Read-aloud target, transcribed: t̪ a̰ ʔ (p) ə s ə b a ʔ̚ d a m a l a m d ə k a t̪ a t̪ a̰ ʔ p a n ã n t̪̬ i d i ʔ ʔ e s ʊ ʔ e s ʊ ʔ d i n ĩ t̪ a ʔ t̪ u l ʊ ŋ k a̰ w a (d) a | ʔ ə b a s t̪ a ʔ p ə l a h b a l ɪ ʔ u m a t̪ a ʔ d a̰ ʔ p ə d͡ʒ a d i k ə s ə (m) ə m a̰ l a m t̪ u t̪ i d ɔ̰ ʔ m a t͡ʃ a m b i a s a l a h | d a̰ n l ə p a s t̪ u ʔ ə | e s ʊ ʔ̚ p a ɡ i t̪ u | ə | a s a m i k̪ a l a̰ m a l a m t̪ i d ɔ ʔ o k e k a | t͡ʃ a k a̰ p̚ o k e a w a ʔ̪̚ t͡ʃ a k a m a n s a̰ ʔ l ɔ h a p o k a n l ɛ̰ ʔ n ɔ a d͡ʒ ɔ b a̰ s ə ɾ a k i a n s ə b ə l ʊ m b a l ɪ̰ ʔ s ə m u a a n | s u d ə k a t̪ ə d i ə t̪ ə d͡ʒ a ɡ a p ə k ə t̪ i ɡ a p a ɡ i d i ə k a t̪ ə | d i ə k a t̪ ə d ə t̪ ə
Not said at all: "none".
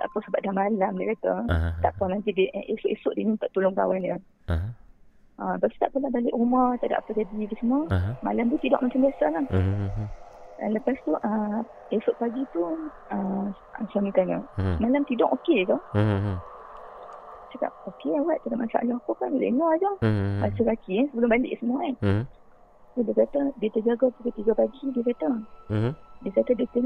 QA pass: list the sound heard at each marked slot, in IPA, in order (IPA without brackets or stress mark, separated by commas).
p, n, m